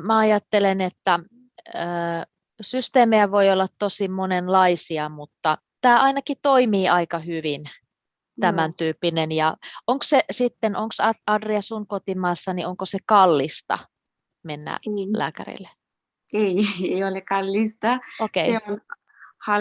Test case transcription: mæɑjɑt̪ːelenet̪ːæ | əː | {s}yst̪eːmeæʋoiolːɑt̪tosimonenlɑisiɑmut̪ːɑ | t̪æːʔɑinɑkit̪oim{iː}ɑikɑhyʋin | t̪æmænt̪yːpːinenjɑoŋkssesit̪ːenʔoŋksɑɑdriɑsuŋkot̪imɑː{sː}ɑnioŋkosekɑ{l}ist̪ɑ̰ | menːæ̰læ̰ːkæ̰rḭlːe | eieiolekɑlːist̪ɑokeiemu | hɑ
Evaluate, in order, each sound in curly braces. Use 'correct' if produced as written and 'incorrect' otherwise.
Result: correct, correct, correct, incorrect

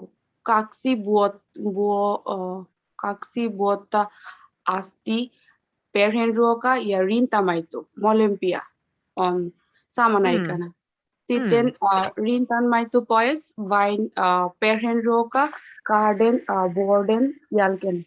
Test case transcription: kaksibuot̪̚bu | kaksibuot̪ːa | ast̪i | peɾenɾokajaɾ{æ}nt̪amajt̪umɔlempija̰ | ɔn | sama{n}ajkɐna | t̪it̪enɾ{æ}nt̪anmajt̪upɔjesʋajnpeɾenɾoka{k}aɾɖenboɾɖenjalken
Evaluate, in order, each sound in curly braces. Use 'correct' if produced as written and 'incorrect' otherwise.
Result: incorrect, correct, incorrect, correct

